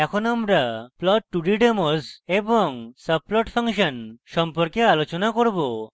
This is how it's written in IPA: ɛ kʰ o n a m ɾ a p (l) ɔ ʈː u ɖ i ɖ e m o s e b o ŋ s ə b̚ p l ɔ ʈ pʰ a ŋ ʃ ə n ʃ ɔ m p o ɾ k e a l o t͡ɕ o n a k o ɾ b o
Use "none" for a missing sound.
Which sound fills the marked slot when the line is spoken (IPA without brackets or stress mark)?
l